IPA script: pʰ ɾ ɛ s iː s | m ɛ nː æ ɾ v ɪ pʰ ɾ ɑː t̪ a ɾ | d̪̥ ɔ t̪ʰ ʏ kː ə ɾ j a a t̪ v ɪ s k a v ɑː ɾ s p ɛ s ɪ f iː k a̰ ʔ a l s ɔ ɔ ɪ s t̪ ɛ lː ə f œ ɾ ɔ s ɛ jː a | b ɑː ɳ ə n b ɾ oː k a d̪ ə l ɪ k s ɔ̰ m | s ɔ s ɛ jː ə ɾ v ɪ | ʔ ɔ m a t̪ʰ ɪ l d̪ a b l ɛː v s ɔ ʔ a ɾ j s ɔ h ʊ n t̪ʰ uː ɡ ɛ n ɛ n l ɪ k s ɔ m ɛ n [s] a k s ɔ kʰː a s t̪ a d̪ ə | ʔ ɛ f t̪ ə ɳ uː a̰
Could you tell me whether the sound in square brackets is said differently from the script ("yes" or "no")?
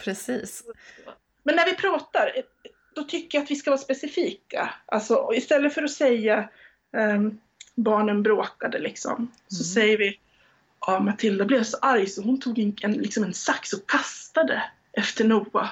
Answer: no